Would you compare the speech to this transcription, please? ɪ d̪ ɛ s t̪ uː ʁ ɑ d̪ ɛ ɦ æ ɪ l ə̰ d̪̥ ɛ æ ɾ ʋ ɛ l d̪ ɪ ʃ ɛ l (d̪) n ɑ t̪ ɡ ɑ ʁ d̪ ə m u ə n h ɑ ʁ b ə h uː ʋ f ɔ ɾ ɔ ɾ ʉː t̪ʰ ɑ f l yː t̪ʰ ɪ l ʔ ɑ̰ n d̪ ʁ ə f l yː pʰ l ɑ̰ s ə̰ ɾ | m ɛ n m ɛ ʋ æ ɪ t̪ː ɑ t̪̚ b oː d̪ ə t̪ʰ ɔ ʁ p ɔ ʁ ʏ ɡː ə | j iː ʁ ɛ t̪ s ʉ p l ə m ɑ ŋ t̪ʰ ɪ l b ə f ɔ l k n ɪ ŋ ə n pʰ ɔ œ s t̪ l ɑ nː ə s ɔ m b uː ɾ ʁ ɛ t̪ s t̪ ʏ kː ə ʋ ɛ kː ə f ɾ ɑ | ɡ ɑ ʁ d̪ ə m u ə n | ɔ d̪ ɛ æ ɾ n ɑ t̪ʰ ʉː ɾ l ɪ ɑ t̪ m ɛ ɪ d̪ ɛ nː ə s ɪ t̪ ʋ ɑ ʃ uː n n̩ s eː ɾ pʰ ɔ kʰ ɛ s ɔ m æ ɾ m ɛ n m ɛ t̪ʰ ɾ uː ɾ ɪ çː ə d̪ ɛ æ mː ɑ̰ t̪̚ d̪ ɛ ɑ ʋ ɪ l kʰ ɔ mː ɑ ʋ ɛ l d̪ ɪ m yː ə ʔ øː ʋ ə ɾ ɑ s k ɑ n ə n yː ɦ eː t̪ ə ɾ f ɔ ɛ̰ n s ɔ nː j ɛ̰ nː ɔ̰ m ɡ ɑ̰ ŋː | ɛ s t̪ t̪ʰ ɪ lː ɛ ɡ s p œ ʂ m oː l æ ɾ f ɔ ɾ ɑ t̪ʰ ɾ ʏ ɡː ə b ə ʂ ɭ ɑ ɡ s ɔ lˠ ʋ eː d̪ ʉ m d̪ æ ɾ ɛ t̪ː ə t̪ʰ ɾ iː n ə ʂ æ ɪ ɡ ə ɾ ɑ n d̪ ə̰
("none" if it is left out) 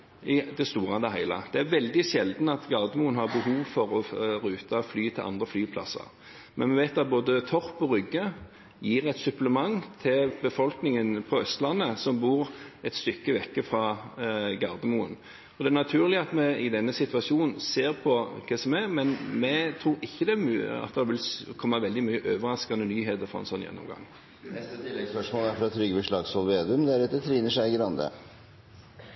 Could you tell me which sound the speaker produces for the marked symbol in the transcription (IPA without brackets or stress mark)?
d̪